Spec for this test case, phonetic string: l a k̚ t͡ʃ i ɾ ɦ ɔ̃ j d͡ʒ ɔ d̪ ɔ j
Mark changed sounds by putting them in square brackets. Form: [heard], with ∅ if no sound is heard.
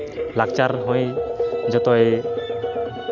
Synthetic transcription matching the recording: l a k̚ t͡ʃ [a] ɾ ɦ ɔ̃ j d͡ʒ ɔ [t̪] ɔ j